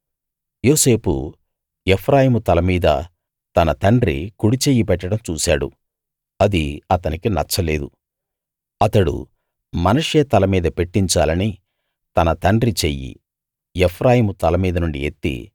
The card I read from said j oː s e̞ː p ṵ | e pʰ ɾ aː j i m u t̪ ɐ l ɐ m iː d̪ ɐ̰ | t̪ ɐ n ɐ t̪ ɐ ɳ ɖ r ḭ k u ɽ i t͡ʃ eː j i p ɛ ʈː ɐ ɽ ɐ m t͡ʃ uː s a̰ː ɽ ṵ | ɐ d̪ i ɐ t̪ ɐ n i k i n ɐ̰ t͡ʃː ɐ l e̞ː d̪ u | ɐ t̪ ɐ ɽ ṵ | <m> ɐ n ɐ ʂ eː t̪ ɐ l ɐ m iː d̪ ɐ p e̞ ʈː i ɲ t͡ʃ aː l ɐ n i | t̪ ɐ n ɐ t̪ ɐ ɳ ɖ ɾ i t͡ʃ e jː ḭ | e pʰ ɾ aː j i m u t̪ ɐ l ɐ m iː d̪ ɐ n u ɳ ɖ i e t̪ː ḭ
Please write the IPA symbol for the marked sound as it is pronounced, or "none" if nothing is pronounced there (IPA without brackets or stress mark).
m